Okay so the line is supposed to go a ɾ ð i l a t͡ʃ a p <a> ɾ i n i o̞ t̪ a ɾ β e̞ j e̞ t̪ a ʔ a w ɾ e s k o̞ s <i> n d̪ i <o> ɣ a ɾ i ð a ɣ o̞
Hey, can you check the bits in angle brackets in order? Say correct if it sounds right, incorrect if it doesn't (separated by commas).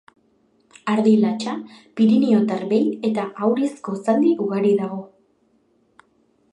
incorrect, incorrect, incorrect